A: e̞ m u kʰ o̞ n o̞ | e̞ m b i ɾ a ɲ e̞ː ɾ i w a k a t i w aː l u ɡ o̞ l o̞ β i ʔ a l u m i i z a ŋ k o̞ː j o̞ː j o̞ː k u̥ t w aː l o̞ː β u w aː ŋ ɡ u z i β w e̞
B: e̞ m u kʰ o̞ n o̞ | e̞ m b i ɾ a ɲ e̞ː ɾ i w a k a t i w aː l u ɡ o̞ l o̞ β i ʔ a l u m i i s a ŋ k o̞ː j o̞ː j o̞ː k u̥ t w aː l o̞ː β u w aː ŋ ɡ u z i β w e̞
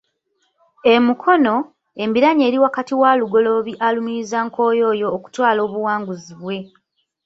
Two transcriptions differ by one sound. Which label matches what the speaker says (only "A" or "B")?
A